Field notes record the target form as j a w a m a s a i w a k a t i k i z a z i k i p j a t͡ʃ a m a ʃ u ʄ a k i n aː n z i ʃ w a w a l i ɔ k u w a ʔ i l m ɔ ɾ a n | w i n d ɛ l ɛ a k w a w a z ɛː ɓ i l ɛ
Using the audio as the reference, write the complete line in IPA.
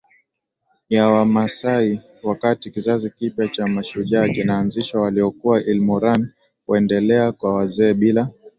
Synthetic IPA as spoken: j a w a m a s a i w a k a t i k i z a z i k i p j a t͡ʃ a m a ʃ u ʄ a k i n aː n z i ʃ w a w a l i ɔ k u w a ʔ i l m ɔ ɾ a n | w ɛ n d ɛ l ɛ a k w a w a z ɛː ɓ i l a